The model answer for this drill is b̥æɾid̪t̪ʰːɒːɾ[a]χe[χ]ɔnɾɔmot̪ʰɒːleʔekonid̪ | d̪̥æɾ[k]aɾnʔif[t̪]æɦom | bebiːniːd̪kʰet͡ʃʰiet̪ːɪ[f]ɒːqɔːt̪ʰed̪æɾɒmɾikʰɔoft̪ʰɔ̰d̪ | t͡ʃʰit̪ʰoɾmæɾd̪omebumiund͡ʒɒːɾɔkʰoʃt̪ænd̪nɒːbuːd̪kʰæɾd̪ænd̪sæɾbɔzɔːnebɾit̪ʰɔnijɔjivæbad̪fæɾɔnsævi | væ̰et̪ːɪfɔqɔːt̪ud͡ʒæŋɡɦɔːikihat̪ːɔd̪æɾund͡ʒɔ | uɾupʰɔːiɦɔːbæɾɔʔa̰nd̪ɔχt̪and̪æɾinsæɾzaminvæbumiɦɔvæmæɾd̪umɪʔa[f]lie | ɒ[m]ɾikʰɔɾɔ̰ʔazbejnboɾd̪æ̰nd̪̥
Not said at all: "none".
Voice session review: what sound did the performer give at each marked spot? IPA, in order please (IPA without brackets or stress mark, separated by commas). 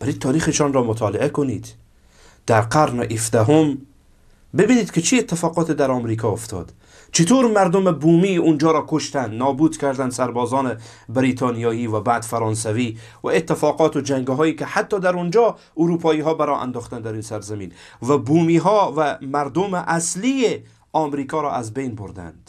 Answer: i, ʃ, q, d̪, f, s, m